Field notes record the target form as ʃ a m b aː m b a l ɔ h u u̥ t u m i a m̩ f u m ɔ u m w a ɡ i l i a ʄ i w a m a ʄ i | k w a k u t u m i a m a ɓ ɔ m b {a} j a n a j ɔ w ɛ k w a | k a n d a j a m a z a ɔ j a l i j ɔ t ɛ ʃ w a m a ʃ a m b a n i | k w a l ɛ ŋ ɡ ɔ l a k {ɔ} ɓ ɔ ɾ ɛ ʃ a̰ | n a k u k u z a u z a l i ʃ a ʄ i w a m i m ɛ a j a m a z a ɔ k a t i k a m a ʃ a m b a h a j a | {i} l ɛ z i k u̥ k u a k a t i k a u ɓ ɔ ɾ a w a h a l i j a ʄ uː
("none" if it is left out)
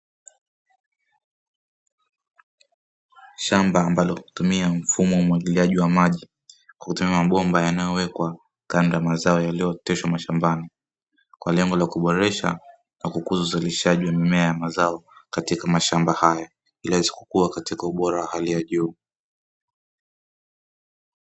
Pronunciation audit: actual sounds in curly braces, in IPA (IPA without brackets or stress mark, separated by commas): a, u, i